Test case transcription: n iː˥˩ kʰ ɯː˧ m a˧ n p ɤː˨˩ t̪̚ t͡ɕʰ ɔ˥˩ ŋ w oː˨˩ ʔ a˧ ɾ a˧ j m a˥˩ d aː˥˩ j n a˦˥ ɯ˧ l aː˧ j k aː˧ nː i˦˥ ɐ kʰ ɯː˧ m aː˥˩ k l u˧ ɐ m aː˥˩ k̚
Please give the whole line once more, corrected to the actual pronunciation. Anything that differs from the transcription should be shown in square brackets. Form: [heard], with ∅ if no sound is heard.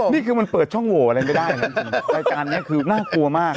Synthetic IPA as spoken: n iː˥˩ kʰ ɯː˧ m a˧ n p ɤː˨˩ t̪̚ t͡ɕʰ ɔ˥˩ ŋ w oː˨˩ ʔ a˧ ɾ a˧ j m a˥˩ d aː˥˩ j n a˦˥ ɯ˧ [ɾ] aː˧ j k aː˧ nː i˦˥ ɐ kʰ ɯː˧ [n] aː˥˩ k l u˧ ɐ m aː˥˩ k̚